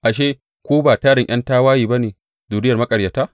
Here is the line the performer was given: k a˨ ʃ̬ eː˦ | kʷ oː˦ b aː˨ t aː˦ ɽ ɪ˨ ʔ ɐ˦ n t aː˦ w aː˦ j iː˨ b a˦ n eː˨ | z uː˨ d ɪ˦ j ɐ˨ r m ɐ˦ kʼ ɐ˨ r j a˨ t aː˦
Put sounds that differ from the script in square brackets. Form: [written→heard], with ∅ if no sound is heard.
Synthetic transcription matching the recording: [k→ʔ] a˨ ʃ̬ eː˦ | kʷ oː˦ b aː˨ t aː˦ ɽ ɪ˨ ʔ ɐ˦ n t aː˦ w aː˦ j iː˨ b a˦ n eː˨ | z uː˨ d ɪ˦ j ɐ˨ r m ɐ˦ kʼ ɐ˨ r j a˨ t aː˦